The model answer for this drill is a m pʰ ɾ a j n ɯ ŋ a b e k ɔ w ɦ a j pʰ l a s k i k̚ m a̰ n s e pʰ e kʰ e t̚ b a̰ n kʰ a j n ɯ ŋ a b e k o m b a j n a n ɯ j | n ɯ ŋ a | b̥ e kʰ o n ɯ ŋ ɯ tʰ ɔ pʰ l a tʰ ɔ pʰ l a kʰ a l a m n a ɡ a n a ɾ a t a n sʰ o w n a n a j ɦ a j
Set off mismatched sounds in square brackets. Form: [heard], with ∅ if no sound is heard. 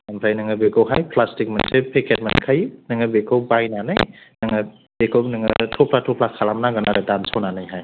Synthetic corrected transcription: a m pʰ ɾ a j n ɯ ŋ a b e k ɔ w ɦ a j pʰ l a s [t] i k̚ m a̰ n s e pʰ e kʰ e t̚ [m] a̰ n kʰ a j n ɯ ŋ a b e k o [∅] b a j n a n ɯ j | n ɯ ŋ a | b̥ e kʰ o n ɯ ŋ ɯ tʰ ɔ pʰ l a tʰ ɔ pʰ l a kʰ a l a m n a ɡ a n a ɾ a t a n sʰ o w n a n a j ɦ a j